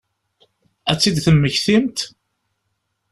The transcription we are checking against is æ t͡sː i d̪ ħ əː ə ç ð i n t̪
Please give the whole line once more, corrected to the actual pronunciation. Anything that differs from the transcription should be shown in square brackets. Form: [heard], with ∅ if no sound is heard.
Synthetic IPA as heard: æ t͡sː i d̪ [θ] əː ə ç [θ] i [m] t̪